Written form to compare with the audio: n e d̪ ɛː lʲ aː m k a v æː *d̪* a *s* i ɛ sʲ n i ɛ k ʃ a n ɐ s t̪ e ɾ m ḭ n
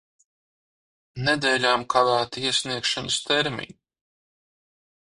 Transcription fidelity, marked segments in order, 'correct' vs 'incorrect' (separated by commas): incorrect, incorrect